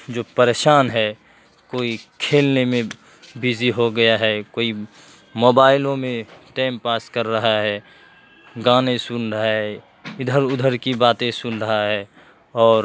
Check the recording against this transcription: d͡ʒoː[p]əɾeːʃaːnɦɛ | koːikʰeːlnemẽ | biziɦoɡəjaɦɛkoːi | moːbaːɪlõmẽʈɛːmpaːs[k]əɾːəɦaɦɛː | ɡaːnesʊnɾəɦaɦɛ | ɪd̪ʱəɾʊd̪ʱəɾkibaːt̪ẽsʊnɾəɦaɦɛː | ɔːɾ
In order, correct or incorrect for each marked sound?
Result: correct, correct

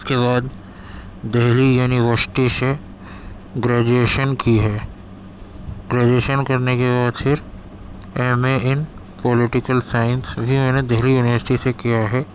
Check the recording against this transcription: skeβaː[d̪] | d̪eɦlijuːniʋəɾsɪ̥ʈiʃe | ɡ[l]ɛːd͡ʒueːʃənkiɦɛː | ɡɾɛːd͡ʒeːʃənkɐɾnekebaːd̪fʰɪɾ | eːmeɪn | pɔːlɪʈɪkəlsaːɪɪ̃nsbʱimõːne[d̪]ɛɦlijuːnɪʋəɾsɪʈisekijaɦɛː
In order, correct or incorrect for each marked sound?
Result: correct, incorrect, correct

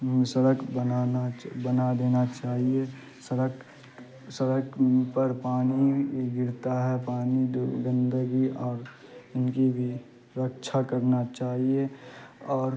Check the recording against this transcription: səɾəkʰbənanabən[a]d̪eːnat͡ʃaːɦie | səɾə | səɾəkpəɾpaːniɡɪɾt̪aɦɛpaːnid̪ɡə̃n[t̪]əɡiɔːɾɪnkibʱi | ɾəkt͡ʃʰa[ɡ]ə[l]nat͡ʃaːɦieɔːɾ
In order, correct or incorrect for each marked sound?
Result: correct, incorrect, incorrect, incorrect

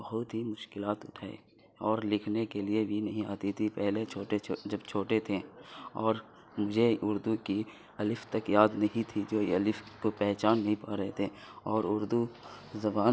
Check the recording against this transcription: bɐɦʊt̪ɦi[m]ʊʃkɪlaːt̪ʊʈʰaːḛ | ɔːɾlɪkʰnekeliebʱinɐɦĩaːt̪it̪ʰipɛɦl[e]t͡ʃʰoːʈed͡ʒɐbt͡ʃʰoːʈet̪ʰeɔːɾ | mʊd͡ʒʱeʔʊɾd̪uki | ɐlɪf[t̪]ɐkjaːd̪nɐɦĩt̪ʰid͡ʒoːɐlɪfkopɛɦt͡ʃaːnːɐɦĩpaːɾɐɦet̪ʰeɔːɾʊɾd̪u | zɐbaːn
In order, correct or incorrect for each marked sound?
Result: correct, correct, correct

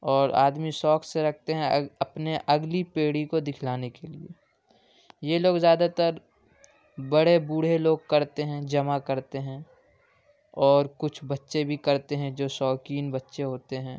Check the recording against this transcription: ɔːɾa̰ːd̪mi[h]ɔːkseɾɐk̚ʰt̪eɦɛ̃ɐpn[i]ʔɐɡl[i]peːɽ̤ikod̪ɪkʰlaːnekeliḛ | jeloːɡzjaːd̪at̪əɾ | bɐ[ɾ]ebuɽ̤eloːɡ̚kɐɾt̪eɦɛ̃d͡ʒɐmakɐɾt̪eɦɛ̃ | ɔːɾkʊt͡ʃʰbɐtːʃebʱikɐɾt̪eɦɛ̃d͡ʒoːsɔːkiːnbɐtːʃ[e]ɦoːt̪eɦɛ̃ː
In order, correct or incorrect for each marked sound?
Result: incorrect, incorrect, correct, incorrect, correct

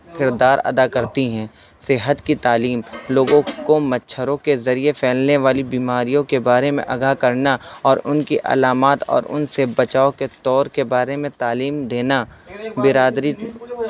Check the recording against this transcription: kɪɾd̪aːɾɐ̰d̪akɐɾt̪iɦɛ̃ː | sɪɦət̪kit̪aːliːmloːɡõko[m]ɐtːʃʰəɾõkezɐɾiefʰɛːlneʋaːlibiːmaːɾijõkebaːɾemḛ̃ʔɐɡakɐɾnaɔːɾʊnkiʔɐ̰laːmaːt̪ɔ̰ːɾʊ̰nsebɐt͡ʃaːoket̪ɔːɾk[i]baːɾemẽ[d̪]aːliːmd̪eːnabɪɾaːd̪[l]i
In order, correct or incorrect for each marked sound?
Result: correct, incorrect, incorrect, incorrect

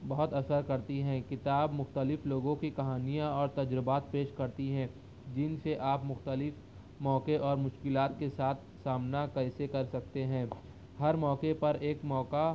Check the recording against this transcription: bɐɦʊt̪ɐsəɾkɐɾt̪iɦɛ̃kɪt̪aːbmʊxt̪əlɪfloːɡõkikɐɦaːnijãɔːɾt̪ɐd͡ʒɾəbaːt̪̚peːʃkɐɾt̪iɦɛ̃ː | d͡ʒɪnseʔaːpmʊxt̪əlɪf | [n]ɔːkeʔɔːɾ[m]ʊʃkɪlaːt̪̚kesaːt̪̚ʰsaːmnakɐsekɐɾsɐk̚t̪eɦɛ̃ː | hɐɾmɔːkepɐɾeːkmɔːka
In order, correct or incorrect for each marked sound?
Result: incorrect, correct

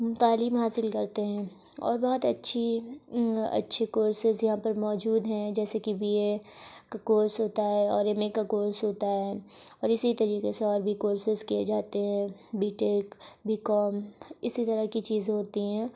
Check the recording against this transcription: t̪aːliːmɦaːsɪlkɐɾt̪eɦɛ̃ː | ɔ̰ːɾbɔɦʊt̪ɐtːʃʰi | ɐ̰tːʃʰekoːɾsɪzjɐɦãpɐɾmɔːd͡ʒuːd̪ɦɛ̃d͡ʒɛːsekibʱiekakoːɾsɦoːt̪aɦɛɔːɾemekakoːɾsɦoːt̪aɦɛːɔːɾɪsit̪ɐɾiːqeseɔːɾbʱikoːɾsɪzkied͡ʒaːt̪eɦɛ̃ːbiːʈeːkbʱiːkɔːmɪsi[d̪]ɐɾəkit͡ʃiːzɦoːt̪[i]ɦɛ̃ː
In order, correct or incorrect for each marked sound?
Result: incorrect, correct

